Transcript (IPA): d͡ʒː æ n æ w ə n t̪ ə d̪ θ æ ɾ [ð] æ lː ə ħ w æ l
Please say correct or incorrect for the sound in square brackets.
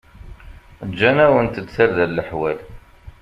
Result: correct